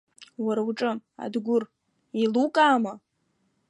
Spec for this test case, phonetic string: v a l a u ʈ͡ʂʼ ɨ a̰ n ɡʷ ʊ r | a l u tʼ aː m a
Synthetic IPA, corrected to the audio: w a ɾ a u ʈ͡ʂʼ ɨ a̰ d ɡʷ ʊ r | i l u kʼ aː m a